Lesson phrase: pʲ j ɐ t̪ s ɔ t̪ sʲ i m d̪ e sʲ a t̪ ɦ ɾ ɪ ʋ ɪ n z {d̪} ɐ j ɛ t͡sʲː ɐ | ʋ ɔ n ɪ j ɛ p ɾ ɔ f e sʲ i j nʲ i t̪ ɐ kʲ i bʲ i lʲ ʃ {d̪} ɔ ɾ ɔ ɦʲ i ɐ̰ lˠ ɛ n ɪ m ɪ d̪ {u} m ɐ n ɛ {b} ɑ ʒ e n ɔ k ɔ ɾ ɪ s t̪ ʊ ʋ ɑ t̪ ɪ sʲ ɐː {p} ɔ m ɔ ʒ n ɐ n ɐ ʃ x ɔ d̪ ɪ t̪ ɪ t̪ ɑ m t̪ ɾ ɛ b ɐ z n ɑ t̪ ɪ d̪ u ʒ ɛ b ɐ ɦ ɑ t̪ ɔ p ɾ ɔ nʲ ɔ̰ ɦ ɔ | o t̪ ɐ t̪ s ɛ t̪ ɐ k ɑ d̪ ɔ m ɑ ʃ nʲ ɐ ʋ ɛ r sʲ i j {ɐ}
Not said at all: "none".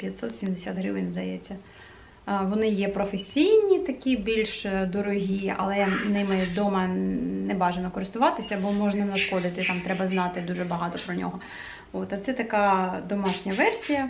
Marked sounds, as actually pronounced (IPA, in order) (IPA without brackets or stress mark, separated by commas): d̪, d̪, ɔ, b, b, ɐ